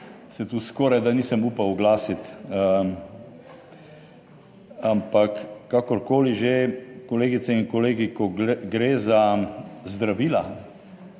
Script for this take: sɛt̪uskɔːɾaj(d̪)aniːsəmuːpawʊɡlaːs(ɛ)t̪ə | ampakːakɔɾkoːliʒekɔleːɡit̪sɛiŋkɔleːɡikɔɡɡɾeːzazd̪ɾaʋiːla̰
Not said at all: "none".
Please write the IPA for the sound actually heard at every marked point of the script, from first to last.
d̪, i

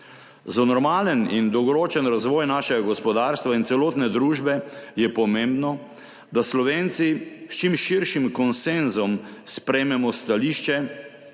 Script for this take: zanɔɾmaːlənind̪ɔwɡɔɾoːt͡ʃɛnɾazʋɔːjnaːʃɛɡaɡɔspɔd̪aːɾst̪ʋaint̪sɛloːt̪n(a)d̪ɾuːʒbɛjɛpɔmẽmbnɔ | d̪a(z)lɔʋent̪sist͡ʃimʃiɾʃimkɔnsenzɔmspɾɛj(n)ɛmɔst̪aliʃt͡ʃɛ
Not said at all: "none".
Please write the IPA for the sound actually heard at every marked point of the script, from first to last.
ɛ, s, m

